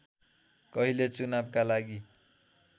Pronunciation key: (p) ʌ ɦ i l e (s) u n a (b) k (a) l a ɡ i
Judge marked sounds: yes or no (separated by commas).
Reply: no, no, yes, yes